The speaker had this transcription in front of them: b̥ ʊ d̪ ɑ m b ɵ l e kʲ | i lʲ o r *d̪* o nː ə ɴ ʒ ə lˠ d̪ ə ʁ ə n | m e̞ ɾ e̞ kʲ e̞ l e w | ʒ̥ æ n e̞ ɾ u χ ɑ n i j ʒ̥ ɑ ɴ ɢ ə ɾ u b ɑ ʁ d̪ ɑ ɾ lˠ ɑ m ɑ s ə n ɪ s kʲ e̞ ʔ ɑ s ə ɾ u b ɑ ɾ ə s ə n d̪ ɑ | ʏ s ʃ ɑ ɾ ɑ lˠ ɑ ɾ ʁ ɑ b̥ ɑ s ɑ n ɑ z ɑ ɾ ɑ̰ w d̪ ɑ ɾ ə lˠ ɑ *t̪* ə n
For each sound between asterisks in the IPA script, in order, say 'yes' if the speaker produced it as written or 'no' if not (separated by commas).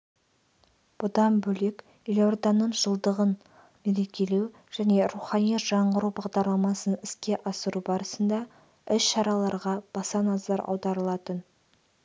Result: yes, yes